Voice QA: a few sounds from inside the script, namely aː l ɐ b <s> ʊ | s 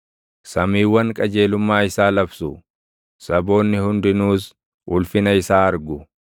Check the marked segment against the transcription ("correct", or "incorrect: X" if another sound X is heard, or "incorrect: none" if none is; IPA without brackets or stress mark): correct